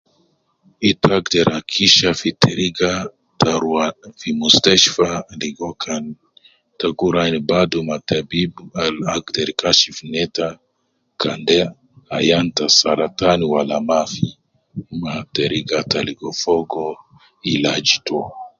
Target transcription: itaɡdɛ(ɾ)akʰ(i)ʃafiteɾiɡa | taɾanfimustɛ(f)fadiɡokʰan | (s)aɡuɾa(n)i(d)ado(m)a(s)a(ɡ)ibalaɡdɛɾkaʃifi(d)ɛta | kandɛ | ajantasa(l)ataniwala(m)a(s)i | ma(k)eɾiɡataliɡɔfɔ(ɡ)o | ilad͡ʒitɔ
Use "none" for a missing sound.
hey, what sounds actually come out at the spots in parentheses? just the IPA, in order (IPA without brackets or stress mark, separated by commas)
ɾ, i, ʃ, t, n, b, m, t, b, n, ɾ, m, f, t, ɡ